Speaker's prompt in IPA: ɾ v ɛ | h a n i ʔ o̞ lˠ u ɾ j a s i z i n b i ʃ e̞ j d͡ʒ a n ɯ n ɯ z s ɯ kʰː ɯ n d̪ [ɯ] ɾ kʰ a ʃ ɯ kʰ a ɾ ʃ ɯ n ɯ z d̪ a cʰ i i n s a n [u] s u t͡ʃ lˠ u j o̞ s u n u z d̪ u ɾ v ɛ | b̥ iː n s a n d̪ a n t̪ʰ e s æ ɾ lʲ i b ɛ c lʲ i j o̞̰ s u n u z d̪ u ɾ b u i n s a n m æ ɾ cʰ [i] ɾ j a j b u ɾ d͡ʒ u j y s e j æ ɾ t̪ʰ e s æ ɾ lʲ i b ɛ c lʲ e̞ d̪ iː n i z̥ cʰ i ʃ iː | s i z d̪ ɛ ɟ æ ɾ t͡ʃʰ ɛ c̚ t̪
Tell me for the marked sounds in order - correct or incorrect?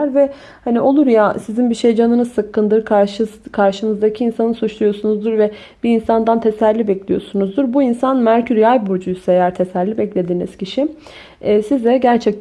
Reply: correct, incorrect, incorrect

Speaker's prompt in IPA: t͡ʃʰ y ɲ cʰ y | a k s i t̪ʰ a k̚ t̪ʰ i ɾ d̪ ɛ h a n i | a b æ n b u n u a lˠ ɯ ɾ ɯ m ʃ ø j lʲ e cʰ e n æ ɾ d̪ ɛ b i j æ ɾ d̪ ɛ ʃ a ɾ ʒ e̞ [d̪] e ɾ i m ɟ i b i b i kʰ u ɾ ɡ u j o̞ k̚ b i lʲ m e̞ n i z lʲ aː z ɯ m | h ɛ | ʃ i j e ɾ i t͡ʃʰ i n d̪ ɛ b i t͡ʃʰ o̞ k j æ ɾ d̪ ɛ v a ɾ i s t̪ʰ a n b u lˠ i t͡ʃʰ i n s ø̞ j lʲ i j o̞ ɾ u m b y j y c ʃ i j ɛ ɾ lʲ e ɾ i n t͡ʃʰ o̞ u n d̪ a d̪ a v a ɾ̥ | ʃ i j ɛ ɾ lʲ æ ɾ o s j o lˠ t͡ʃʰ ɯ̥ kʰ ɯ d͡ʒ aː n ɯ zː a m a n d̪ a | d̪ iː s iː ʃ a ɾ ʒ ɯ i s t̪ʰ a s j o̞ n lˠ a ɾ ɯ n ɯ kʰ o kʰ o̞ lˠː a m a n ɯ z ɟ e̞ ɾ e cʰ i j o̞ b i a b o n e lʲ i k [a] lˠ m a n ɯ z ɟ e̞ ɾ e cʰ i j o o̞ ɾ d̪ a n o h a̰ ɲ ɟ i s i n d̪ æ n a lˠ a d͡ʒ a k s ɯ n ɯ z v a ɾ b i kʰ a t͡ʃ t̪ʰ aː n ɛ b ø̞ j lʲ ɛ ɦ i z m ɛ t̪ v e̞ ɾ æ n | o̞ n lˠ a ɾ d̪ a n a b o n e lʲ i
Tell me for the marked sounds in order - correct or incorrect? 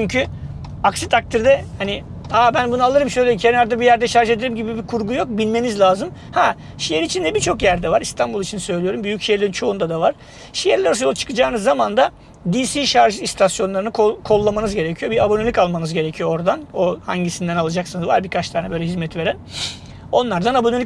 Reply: correct, correct

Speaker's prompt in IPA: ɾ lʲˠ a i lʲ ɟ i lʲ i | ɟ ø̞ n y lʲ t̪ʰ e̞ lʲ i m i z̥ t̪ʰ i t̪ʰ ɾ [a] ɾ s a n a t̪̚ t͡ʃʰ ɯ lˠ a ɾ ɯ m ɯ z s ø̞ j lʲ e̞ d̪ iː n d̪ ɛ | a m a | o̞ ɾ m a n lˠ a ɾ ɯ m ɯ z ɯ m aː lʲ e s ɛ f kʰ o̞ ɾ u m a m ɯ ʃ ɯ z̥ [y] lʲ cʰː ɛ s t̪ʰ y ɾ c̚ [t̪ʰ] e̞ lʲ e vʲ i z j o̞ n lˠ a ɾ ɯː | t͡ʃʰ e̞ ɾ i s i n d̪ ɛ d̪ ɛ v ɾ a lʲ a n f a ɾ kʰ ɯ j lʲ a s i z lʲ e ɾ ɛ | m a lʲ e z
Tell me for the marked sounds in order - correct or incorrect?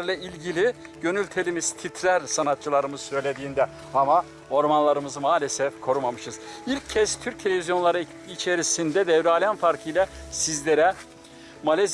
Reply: incorrect, incorrect, correct

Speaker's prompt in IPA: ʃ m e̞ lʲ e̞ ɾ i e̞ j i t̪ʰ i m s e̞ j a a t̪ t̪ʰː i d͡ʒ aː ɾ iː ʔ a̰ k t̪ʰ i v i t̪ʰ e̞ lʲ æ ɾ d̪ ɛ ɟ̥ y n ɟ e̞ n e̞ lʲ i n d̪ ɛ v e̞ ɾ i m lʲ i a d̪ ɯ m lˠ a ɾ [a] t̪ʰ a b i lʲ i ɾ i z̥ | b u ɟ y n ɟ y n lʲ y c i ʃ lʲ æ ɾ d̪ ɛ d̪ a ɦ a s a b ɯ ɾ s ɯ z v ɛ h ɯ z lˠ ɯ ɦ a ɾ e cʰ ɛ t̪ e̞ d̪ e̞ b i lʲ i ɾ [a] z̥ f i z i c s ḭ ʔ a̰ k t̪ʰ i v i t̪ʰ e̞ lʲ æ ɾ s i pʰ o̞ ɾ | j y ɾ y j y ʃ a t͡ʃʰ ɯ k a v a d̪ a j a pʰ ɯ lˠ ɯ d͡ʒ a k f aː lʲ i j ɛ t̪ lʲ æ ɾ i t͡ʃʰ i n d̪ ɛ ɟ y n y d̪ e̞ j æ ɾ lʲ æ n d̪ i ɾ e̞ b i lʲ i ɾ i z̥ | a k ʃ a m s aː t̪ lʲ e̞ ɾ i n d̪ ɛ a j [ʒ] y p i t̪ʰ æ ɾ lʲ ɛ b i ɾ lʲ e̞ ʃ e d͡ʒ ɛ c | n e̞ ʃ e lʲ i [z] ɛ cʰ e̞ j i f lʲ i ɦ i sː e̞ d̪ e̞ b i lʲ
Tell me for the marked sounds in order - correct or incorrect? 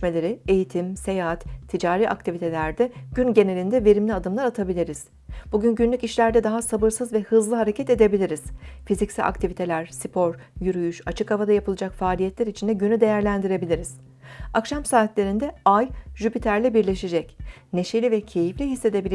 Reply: correct, incorrect, correct, incorrect

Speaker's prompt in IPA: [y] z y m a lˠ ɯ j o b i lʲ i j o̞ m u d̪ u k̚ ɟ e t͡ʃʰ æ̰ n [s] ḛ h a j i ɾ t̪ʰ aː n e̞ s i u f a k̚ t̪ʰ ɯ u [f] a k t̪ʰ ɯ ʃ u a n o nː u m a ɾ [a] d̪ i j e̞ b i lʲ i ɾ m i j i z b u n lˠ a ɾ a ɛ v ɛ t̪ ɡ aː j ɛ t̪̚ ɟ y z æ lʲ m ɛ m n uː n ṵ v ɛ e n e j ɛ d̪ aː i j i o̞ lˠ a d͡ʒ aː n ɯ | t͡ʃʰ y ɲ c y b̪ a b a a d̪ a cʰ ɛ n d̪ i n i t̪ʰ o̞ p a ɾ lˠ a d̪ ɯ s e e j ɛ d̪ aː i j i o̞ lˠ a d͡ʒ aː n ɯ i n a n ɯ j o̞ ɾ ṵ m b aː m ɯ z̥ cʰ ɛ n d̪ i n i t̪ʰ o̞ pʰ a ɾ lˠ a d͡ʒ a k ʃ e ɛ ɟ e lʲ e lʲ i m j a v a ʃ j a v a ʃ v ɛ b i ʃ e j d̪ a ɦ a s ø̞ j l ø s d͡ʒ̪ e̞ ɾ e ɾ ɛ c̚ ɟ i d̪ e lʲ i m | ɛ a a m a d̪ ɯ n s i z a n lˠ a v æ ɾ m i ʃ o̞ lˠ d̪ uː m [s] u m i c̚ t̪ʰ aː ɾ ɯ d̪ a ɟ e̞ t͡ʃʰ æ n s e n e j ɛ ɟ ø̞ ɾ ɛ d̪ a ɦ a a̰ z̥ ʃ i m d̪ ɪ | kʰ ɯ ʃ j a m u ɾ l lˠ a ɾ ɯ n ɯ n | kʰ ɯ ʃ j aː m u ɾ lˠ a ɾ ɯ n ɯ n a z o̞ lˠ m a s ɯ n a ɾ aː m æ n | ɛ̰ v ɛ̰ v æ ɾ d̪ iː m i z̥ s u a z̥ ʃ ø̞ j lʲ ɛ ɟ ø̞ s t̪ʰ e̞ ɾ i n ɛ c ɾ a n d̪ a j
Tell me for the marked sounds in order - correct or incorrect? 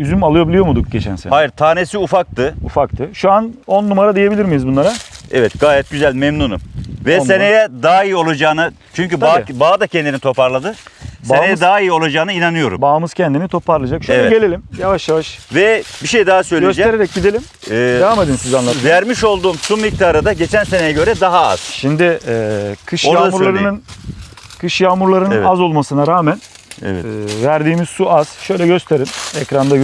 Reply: correct, correct, correct, correct, correct

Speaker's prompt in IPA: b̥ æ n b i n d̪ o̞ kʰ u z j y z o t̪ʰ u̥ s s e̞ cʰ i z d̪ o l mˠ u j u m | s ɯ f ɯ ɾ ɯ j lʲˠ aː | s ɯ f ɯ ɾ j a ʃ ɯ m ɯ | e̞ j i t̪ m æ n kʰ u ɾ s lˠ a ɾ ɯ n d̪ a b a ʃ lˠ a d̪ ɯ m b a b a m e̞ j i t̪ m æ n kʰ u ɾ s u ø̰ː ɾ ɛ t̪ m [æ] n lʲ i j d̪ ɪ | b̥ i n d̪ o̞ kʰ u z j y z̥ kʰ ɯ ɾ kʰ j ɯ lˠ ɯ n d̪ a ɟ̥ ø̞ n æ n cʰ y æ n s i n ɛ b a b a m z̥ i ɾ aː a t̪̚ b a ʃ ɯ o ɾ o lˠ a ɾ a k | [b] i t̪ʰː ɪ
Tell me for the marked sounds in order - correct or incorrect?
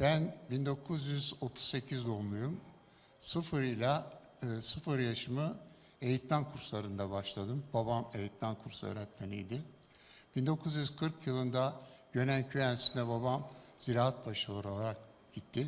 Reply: incorrect, incorrect

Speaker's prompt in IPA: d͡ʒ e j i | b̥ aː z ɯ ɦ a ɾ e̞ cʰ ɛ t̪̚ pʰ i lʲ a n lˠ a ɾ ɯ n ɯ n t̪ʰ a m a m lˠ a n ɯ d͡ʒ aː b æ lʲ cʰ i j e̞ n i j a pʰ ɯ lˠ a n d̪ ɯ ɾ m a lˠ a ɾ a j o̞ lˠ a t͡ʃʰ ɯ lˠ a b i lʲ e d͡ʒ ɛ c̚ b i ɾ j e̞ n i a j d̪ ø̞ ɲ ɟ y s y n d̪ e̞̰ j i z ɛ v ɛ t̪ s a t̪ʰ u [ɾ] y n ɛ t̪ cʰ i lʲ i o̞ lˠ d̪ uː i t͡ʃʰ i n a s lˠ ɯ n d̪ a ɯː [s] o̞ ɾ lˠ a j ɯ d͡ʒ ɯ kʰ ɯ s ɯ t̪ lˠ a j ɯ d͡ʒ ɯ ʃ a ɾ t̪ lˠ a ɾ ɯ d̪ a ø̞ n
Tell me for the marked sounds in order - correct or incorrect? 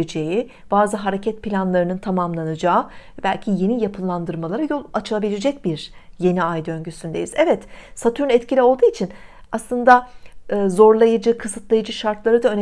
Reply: correct, incorrect

